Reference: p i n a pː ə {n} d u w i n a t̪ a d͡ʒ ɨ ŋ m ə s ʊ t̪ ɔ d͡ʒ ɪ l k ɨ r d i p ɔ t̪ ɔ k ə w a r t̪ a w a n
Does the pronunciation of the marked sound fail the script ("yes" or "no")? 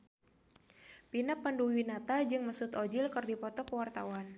no